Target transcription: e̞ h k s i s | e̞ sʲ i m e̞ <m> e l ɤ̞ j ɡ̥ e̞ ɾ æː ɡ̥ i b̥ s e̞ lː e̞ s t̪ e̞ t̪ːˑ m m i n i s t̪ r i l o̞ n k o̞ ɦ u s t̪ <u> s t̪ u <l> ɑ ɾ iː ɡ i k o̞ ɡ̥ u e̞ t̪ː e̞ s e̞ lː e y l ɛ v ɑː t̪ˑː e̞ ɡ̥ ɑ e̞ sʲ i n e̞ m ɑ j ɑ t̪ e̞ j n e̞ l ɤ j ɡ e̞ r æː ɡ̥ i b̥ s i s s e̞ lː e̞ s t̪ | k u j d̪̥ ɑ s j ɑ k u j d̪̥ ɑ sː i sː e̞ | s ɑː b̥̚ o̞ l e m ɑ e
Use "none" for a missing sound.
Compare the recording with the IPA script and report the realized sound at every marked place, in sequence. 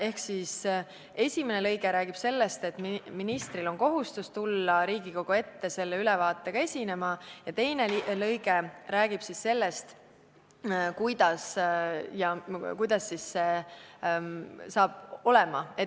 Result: n, u, lː

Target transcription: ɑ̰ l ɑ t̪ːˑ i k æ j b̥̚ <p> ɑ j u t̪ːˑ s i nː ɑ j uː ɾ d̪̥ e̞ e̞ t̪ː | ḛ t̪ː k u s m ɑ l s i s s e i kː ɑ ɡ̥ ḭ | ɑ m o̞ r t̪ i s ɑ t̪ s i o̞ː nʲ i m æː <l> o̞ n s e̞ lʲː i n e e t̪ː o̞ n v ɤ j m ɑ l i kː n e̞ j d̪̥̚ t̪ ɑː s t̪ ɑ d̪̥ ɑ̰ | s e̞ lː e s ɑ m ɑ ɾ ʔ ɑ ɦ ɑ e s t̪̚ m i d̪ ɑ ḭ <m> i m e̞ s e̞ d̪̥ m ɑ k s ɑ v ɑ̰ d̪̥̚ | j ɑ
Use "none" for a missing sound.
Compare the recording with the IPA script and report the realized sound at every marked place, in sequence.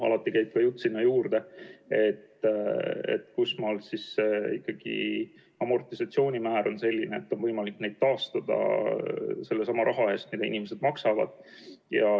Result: k, ɾ, n

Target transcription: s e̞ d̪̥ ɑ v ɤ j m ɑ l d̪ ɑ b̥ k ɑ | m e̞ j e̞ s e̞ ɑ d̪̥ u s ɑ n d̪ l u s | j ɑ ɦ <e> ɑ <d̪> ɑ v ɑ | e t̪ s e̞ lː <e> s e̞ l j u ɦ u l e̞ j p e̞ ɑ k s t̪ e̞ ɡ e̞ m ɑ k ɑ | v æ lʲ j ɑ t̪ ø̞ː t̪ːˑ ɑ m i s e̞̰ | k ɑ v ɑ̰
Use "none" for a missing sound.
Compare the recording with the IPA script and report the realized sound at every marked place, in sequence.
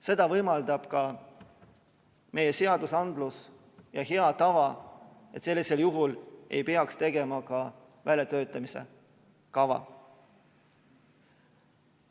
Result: e, t̪, i

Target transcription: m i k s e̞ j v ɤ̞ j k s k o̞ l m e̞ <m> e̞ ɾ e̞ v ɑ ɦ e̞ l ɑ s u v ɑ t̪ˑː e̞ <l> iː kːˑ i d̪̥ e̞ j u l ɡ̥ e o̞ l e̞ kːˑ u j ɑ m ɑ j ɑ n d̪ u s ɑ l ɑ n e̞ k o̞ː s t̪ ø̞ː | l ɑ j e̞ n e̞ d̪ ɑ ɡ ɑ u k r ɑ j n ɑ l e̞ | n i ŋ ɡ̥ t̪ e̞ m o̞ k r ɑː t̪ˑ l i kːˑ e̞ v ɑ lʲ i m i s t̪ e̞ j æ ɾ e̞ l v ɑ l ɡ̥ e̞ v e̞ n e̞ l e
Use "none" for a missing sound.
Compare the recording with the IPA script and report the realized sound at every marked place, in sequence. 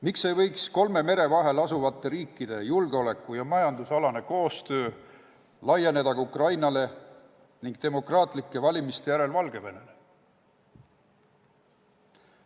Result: m, ɾ

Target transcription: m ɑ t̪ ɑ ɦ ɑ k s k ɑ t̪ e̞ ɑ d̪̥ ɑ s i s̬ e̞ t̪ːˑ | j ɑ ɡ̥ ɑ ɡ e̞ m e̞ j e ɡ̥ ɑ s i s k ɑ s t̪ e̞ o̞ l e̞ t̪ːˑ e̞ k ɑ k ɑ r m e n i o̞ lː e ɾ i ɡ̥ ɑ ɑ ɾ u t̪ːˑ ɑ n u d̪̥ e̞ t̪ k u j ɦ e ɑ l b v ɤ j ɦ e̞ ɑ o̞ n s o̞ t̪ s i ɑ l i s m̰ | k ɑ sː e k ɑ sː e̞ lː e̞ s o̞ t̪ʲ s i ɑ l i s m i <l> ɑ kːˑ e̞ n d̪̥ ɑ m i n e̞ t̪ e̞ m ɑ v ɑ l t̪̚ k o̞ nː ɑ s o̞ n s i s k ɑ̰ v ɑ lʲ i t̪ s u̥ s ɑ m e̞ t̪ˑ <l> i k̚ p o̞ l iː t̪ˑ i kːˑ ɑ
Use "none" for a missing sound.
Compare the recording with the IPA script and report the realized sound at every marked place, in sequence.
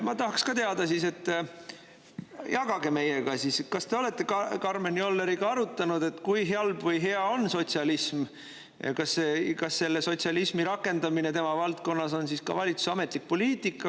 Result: ɾ, l

